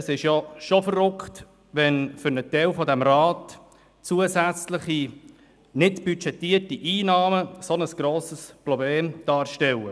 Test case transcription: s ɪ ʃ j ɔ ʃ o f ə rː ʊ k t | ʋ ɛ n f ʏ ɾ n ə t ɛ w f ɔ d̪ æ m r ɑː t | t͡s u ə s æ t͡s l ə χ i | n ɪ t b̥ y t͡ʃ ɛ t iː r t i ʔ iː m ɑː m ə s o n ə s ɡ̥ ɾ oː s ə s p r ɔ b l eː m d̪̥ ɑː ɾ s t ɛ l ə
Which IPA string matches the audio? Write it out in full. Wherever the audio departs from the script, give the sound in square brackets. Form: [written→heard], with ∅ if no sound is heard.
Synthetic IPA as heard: s ɪ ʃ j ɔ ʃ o f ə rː ʊ k t | ʋ ɛ n f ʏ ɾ n ə t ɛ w f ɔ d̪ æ m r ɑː t | t͡s u ə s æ t͡s l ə χ i | n ɪ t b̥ y t͡ʃ ɛ t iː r t i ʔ iː [m→n] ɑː m ə s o n ə s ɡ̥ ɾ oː s ə s p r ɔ b l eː m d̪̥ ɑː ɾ [s→ʃ] t ɛ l ə